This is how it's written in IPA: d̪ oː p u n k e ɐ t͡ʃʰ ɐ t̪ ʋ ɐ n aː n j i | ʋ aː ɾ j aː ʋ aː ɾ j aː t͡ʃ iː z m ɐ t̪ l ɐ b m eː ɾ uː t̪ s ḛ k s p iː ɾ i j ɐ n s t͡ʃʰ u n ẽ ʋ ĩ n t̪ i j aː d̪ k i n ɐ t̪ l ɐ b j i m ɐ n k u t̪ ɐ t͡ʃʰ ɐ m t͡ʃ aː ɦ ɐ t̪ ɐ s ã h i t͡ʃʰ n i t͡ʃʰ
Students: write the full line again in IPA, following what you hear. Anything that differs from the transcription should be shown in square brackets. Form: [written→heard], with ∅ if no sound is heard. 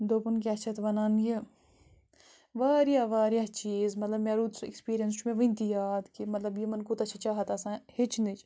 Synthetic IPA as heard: d̪ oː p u n k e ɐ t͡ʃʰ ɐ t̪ ʋ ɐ n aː n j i | ʋ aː ɾ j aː ʋ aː ɾ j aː t͡ʃ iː z m ɐ t̪ l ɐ b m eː ɾ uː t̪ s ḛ k s p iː ɾ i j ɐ n s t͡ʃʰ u [n→m] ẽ ʋ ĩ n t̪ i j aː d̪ k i [n→m] ɐ t̪ l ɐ b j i m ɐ n k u t̪ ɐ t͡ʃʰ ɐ [m→∅] t͡ʃ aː ɦ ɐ t̪ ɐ s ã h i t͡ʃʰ n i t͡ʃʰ

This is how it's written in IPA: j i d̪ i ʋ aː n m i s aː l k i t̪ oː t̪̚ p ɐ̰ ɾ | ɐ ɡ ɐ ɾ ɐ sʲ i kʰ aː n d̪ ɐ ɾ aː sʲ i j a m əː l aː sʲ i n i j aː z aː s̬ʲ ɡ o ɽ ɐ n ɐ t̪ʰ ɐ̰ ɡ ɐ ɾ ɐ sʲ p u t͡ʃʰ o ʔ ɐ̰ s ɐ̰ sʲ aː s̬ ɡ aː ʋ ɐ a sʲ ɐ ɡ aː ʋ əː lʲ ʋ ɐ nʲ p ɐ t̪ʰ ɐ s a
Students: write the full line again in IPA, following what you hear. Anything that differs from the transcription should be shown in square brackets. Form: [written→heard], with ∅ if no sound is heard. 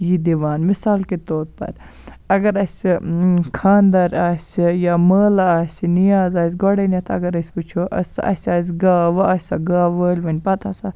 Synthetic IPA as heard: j i d̪ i ʋ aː n m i s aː l k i t̪ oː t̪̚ p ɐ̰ ɾ | ɐ ɡ ɐ ɾ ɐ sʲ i kʰ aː n d̪ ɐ ɾ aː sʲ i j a m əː l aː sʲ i n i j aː z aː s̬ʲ ɡ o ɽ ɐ n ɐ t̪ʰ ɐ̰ ɡ ɐ ɾ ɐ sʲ p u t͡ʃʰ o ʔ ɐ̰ s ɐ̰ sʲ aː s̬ ɡ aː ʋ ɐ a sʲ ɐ ɡ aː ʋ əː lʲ ʋ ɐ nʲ p ɐ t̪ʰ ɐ s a

